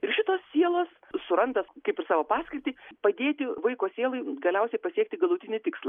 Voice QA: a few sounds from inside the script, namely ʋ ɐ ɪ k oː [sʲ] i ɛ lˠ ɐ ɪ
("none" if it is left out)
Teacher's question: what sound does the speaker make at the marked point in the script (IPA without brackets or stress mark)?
sʲ